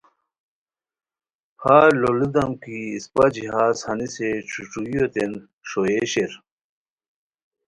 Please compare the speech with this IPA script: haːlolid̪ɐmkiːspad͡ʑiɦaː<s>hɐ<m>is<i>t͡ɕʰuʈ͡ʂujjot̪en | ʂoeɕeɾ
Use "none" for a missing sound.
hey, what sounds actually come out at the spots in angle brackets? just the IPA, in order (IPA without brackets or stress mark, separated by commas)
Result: s, n, e